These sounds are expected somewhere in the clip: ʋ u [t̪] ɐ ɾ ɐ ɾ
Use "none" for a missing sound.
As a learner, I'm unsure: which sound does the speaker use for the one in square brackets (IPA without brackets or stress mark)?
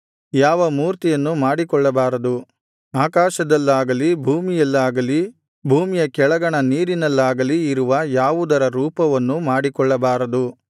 d̪